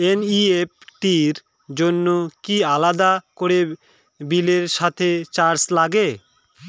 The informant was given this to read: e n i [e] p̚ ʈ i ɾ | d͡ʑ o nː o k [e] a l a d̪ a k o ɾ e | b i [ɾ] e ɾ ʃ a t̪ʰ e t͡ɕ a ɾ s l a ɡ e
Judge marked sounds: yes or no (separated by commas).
yes, no, no